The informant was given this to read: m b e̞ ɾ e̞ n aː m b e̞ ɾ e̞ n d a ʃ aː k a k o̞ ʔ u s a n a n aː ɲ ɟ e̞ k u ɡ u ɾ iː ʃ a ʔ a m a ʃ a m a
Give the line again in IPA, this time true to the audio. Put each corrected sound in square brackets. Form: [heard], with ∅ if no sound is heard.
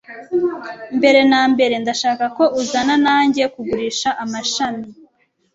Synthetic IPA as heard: m b e̞ ɾ e̞ n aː m b e̞ ɾ e̞ n d a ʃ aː k a k o̞ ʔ u [z] a n a n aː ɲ ɟ e̞ k u ɡ u ɾ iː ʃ a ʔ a m a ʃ a m [i]